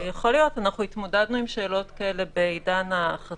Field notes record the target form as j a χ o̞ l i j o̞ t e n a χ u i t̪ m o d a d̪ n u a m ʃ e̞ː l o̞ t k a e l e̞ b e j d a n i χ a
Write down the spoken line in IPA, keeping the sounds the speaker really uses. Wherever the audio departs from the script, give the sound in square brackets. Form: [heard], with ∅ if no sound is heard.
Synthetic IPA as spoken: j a χ o̞ l i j o̞ t [a] n a χ u i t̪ m o d a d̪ n u [i] m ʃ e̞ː l o̞ t k a e l e̞ b e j d a n [a] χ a